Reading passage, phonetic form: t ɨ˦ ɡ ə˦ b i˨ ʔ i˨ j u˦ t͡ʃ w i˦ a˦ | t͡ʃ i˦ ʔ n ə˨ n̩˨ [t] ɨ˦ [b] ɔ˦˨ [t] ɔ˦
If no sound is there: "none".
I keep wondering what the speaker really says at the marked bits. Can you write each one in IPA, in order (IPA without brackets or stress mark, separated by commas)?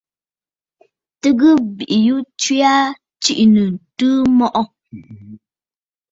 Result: t, m, ʔ